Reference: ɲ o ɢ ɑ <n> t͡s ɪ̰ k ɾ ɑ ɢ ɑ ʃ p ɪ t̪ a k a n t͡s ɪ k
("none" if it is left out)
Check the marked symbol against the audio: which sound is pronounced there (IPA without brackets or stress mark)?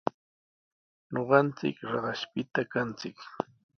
n